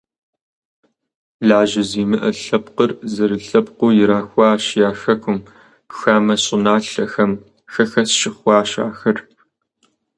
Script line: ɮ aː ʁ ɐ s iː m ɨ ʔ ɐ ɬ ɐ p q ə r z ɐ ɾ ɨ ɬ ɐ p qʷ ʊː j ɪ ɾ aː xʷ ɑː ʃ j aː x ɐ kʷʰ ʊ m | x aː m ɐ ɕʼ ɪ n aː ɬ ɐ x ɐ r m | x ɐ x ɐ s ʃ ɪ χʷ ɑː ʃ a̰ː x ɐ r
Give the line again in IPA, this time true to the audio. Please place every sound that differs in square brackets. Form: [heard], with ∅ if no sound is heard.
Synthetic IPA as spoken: ɮ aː [ʒ] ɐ [z] iː m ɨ ʔ ɐ ɬ ɐ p q ə r z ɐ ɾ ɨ ɬ ɐ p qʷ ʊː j ɪ ɾ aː xʷ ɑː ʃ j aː x ɐ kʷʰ ʊ m | x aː m ɐ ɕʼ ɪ n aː ɬ ɐ x ɐ [∅] m | x ɐ x ɐ s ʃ ɪ χʷ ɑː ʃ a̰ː x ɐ r

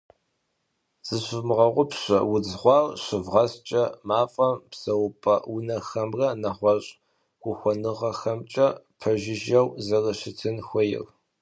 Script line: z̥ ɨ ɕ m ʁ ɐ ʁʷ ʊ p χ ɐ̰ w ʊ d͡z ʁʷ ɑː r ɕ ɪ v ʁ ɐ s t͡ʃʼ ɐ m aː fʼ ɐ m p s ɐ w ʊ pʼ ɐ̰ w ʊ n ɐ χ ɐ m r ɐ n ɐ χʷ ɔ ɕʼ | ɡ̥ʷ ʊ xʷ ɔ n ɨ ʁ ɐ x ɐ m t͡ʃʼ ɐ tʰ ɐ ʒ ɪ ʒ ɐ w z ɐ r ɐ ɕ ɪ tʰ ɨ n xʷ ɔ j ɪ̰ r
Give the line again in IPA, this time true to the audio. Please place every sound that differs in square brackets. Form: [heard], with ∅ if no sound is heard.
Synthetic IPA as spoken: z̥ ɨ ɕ m ʁ ɐ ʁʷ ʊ p [ɕ] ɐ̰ w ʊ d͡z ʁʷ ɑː r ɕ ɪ v ʁ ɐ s t͡ʃʼ ɐ m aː fʼ ɐ m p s ɐ w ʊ pʼ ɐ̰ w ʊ n ɐ [x] ɐ m r ɐ n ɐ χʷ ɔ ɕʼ | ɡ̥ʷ ʊ xʷ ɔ n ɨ ʁ ɐ x ɐ m t͡ʃʼ ɐ [pʰ] ɐ ʒ ɪ ʒ ɐ w z ɐ r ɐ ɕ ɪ tʰ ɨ n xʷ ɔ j ɪ̰ r

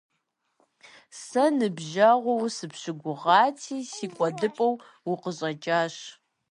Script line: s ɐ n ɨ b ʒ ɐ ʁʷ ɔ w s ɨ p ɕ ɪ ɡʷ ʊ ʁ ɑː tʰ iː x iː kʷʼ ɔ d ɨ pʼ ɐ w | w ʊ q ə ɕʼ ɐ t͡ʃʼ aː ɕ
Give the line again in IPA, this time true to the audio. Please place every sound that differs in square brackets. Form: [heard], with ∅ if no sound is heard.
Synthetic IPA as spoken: s ɐ n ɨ b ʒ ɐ ʁʷ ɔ w s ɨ p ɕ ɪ ɡʷ ʊ ʁ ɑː tʰ iː [s] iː kʷʼ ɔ d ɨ pʼ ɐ w | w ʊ q ə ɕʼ ɐ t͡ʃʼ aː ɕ

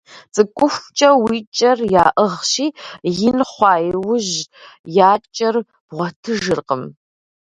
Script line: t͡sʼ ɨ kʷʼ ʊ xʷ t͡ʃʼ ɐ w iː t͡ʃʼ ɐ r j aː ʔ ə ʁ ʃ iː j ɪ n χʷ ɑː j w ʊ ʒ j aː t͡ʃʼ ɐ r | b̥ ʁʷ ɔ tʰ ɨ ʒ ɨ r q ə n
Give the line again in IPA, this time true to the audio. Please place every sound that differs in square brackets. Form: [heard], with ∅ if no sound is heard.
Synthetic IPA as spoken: t͡sʼ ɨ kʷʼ ʊ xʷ t͡ʃʼ ɐ w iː t͡ʃʼ ɐ r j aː ʔ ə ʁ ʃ iː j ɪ n χʷ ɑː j w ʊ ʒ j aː t͡ʃʼ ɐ r | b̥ ʁʷ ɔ tʰ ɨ ʒ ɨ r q ə [m]

